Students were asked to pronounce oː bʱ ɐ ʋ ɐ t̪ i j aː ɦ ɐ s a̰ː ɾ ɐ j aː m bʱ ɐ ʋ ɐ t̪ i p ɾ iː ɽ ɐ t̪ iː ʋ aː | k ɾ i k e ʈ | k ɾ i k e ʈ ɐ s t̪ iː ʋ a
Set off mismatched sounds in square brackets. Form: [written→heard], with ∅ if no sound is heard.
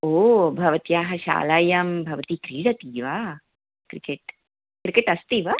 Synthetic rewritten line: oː bʱ ɐ ʋ ɐ t̪ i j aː ɦ ɐ [s→ʃ] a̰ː [ɾ→l] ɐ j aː m bʱ ɐ ʋ ɐ t̪ i [p→k] ɾ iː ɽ ɐ t̪ iː ʋ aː | k ɾ i k e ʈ | k ɾ i k e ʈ ɐ s t̪ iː ʋ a

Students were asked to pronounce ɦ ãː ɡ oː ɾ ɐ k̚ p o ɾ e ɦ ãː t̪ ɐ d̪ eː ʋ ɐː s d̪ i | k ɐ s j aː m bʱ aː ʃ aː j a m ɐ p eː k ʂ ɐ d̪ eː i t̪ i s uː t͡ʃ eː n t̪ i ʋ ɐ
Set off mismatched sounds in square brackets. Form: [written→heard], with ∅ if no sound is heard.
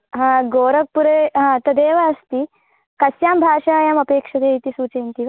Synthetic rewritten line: ɦ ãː ɡ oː ɾ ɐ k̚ p [o→u] ɾ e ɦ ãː t̪ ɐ d̪ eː ʋ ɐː s [d̪→t̪] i | k ɐ s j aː m bʱ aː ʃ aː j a m ɐ p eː k ʂ ɐ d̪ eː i t̪ i s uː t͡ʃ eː n t̪ i ʋ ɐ

